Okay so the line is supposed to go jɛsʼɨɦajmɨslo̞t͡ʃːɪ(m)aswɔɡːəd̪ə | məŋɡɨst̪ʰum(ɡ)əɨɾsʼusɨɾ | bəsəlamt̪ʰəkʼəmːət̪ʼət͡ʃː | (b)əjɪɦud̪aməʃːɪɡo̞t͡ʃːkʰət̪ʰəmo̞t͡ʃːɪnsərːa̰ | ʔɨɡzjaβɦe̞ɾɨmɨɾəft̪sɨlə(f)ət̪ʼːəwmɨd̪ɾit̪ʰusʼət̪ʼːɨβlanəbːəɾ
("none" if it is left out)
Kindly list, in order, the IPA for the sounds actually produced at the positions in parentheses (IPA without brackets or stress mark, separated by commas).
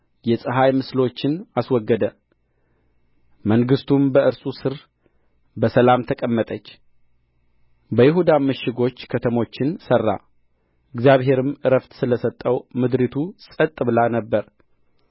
n, b, b, s